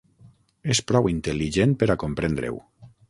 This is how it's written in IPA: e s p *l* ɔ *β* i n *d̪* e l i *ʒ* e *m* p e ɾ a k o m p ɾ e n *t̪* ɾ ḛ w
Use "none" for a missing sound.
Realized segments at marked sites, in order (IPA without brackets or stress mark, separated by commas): ɾ, w, t̪, ʒ, n, d̪